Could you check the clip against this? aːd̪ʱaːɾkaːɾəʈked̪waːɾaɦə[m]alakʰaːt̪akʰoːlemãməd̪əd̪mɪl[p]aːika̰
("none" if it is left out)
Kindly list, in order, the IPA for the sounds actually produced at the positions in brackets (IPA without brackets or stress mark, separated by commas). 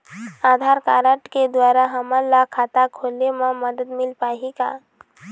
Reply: m, p